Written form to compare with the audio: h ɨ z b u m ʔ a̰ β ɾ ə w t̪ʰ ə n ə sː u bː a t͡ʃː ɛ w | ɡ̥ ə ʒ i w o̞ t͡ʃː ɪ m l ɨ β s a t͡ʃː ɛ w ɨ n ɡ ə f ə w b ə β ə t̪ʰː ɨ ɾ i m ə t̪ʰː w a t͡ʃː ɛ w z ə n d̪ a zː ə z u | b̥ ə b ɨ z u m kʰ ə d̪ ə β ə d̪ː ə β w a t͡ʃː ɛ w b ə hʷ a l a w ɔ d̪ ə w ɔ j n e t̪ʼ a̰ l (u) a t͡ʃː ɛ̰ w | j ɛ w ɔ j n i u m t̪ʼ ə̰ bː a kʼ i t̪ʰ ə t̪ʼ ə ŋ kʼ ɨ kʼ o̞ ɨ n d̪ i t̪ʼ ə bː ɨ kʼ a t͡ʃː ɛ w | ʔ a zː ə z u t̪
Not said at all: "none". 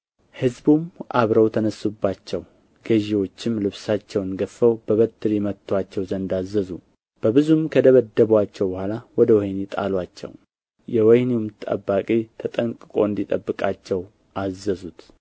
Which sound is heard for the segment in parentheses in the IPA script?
w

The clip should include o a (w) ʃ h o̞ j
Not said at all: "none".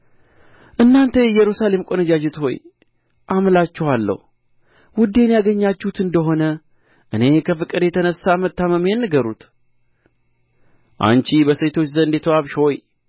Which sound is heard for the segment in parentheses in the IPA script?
β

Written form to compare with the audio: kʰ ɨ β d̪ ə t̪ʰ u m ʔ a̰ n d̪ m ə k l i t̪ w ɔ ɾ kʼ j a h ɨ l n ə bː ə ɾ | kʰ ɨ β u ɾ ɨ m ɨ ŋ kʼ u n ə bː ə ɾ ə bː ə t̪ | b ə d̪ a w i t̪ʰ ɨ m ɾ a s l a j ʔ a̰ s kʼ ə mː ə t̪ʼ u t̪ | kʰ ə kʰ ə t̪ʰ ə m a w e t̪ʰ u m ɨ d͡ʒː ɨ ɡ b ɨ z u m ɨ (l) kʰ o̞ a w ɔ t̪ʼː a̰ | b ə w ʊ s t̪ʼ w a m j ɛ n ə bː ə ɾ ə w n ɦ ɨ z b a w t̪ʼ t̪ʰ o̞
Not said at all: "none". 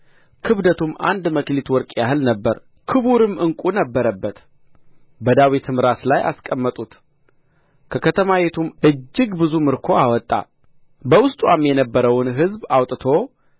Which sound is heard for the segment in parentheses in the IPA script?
ɾ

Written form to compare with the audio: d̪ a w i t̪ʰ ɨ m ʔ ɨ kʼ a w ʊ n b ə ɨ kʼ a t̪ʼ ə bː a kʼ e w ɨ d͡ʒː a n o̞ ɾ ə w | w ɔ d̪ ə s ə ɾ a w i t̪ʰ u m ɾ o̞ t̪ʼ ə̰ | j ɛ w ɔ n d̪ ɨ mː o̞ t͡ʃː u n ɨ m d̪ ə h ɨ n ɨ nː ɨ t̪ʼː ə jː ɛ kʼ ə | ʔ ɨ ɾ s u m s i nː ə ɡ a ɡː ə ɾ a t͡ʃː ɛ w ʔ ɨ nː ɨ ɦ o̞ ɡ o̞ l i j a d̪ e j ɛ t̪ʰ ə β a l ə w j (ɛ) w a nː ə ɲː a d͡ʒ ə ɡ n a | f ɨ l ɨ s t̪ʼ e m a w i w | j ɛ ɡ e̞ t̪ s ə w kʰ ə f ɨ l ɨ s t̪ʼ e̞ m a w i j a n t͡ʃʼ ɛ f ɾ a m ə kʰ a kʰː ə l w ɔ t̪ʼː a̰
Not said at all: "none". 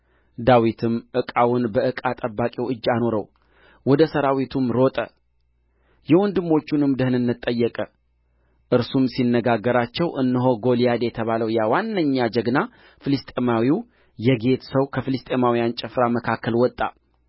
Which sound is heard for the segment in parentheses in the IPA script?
a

